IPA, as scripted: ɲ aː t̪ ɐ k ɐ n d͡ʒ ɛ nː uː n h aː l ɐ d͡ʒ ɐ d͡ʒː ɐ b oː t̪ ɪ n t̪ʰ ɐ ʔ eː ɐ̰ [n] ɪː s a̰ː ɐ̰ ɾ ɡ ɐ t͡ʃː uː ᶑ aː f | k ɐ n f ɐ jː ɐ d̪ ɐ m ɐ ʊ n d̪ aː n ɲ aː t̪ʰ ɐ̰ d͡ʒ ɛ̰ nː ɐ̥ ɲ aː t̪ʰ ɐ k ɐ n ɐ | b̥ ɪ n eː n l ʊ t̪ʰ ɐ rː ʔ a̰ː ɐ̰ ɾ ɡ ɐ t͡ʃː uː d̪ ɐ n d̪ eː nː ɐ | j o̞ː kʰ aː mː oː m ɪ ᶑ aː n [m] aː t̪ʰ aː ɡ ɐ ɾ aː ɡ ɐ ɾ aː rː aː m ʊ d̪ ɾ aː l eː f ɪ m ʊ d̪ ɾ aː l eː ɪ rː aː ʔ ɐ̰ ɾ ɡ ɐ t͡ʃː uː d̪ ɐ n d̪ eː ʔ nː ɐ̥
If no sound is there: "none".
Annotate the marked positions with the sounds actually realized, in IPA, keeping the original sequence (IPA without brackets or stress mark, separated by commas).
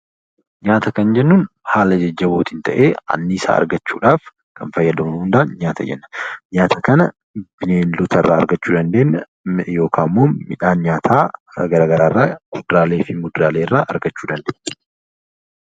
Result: nː, ɲ